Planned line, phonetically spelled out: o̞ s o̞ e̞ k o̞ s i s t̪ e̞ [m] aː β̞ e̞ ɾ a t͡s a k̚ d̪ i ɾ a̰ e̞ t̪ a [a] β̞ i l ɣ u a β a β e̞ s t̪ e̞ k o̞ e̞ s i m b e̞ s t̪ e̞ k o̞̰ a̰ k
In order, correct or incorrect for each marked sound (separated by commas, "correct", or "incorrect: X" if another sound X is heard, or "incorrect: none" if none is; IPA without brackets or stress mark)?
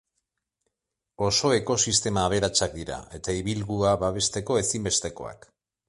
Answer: correct, incorrect: i